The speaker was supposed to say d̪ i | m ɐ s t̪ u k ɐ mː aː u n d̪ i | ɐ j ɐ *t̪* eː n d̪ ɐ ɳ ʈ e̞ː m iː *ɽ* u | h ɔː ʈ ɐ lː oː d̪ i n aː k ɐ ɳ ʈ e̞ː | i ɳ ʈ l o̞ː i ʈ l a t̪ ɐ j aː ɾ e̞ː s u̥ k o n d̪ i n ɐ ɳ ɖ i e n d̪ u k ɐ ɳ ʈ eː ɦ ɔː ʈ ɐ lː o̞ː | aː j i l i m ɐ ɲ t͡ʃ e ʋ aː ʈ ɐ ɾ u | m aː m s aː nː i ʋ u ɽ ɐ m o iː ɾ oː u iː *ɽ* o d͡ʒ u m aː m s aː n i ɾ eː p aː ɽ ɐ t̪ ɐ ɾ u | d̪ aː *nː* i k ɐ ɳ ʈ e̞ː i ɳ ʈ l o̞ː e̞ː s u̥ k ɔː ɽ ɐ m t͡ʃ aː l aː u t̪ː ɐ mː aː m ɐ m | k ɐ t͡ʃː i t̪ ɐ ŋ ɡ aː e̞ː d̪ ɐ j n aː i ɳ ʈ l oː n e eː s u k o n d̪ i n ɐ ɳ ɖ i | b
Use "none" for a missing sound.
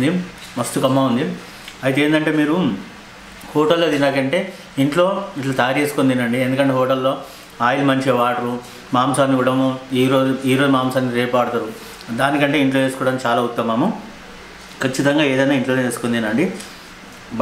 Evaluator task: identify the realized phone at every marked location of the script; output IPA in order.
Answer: t̪, ɾ, ɾ, n

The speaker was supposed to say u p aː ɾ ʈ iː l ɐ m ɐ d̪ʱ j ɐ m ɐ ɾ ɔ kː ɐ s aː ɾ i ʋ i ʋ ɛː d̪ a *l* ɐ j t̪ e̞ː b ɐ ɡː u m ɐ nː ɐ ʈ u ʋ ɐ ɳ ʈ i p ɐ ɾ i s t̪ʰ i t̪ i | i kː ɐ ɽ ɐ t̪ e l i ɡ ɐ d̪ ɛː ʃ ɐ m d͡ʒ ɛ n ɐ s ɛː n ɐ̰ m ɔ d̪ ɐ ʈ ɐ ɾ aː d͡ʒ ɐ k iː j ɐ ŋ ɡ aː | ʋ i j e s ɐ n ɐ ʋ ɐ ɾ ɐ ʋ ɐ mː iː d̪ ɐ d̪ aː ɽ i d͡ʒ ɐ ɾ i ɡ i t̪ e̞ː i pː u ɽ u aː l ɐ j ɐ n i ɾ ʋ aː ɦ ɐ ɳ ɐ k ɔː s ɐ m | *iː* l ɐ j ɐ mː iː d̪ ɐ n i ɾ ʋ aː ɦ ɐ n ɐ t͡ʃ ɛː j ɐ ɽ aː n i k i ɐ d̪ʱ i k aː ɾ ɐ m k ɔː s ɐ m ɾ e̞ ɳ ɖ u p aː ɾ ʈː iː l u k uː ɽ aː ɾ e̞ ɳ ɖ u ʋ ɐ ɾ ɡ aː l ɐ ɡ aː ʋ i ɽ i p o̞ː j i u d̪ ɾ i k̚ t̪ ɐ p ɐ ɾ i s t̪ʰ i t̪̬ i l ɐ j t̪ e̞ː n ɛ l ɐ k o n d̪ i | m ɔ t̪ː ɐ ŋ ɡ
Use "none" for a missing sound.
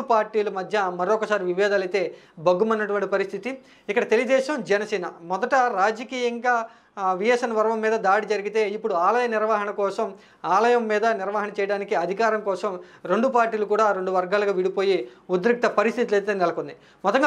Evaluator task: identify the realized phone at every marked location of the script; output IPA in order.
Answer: l, aː

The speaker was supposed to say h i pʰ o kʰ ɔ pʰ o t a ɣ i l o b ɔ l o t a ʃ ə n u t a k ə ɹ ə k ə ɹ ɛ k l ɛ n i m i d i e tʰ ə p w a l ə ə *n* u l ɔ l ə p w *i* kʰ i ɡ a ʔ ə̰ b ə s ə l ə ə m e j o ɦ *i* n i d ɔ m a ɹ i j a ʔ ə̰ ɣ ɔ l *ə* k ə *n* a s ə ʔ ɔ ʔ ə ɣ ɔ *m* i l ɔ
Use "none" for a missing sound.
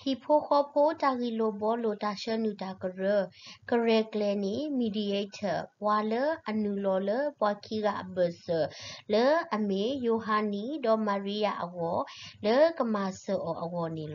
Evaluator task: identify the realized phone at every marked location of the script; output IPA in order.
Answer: n, a, a, ə, m, n

